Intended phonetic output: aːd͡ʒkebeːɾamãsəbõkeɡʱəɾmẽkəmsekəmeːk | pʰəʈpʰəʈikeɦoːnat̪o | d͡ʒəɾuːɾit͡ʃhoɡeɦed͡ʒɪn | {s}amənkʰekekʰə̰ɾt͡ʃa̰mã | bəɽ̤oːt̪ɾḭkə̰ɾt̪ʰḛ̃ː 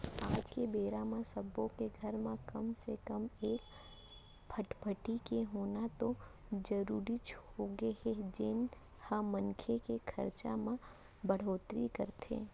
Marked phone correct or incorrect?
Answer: incorrect